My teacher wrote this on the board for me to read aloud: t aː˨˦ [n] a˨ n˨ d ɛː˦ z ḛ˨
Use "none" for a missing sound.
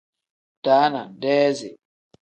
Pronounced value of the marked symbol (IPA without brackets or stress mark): n